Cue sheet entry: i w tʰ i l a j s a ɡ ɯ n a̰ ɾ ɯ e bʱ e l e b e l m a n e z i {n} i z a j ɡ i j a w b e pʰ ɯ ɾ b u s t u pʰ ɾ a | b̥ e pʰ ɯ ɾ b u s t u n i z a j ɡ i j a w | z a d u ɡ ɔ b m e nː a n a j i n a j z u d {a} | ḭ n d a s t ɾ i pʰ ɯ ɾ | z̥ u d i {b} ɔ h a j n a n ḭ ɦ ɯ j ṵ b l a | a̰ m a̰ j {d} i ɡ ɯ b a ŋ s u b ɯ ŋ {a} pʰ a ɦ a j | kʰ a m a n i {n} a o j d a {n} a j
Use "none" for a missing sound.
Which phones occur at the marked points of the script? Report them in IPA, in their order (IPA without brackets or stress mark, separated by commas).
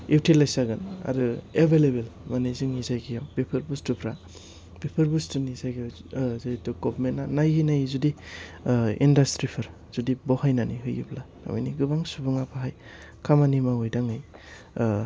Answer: ŋ, i, b, n, a, m, ŋ